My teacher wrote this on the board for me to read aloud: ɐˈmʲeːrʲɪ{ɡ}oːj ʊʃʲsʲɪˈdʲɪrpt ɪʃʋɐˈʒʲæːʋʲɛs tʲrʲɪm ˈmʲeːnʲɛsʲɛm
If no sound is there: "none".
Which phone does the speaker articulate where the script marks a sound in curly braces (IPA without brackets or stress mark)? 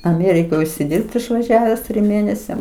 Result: k